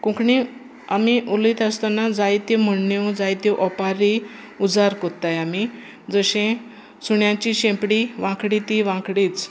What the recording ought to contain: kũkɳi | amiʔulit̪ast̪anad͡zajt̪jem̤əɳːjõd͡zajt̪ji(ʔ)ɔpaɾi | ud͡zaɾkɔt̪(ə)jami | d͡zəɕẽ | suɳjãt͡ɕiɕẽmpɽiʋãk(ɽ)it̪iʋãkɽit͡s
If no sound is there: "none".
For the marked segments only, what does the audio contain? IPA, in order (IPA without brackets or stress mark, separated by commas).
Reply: ʔ, a, ɽ